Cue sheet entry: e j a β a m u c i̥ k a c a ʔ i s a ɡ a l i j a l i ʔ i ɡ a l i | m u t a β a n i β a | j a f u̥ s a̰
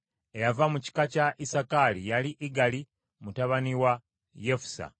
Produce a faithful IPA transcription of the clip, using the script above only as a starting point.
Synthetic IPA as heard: e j a v a m u c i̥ k a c a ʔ i s a k a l i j a l i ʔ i ɡ a l i | m u t a β a n i w a | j e f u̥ s a̰

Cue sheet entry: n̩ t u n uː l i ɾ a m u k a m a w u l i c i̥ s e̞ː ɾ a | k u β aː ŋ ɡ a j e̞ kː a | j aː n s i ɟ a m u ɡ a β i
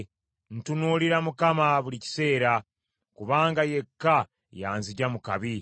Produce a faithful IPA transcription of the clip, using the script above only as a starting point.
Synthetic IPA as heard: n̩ t u n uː l i ɾ a m u k a m a β u l i c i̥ s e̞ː ɾ a | k u β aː ŋ ɡ a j e̞ kː a | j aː n z i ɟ a m u k a β i

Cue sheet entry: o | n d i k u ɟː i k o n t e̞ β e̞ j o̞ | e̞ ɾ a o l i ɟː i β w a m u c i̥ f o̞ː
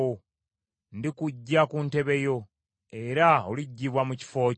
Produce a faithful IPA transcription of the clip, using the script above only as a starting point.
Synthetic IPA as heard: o | n d i k u ɟː a k u n t e̞ β e̞ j o̞ | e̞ ɾ a o l i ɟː i β w a m u c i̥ f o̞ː

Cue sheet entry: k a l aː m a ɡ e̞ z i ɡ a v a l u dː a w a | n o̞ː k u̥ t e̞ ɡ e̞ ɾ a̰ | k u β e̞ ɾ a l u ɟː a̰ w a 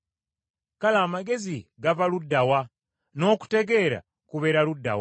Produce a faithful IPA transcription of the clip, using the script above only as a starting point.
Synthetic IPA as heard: k a l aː m a ɡ e̞ z i ɡ a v a l u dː a w a | n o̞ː k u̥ t e̞ ɡ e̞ ɾ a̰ | k u β e̞ ɾ a l u dː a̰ w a

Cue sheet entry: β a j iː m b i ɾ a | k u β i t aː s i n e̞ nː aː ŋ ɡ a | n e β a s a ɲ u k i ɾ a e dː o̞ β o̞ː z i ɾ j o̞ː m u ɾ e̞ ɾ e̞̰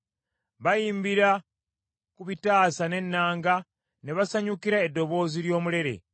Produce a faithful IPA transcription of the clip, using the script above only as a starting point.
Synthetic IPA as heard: β a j iː m b i ɾ a | k u β i t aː s a n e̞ nː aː ŋ ɡ a | n e β a s a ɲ u k i ɾ a e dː o̞ β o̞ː z i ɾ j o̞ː m u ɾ e̞ ɾ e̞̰

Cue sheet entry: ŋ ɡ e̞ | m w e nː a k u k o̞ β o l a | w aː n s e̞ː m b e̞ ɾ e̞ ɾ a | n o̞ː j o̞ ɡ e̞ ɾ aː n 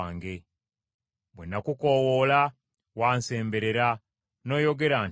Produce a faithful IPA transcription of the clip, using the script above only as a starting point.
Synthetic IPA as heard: ŋ ɡ e̞ | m w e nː a k u k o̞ w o l a | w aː n s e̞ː m b e̞ ɾ e̞ ɾ a | n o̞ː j o̞ ɡ e̞ ɾ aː n

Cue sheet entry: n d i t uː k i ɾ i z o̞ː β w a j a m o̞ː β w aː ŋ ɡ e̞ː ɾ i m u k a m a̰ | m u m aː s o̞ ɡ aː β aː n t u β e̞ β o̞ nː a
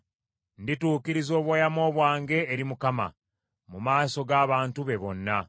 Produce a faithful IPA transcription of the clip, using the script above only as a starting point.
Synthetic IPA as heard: n d i t uː k i ɾ i z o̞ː β w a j a m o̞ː β w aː ŋ ɡ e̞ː ɾ i m u k a m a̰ | m u m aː s o̞ ɡ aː β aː n t u β e̞ β o̞ nː a

